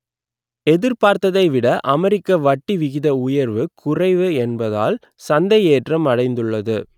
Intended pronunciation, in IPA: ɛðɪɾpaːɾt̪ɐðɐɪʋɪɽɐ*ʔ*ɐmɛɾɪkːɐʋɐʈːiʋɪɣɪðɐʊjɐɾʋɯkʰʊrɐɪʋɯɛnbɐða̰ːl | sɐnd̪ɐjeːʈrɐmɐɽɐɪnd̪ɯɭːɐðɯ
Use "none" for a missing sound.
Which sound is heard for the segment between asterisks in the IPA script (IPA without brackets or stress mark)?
ʔ